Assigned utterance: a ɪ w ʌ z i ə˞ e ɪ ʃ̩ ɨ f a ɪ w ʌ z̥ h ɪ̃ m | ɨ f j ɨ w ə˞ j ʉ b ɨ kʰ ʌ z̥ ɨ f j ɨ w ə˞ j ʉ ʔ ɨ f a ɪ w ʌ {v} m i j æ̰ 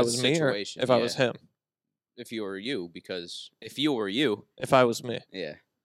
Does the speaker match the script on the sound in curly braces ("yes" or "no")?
no